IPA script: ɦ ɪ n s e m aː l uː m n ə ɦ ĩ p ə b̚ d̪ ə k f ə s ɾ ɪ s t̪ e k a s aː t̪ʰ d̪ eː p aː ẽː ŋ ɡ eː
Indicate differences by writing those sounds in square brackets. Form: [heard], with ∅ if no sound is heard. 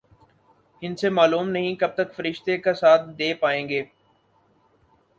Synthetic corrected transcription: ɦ ɪ n s e m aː l uː m n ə ɦ ĩ [k] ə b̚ [t̪] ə k f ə [∅] ɾ ɪ [ʃ] t̪ e k a s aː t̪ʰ d̪ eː p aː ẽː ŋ ɡ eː